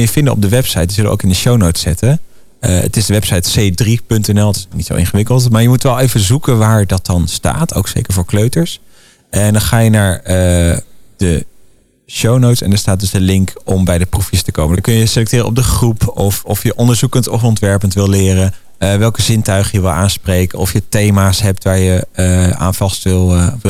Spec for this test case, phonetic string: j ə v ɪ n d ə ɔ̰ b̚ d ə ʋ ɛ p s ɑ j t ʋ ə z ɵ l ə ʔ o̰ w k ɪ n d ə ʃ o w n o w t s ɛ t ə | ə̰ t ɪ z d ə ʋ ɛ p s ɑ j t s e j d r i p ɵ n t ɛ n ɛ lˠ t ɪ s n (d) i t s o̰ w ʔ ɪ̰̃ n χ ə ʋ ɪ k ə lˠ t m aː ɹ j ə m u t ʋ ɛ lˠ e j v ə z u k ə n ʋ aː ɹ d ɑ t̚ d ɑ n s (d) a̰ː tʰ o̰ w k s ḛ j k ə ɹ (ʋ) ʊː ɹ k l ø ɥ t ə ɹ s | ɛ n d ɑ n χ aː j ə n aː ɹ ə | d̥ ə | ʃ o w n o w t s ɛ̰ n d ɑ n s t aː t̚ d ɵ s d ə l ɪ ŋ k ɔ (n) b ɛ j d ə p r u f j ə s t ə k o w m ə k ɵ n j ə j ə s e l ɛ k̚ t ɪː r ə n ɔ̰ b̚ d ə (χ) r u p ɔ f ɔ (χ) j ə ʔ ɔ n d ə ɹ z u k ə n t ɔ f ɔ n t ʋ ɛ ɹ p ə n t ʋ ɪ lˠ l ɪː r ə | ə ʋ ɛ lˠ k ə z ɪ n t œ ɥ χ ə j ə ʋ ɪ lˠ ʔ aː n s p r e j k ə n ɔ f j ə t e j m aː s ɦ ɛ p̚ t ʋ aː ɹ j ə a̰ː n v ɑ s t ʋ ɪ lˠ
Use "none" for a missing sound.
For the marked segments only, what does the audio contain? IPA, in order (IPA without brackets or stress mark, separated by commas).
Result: n, t, v, m, χ, f